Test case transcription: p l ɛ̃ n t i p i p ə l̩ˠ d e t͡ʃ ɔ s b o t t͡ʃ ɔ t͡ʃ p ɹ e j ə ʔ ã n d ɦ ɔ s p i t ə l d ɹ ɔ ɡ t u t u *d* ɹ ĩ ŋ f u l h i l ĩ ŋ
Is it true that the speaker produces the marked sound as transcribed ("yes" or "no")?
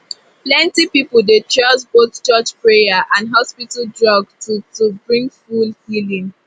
no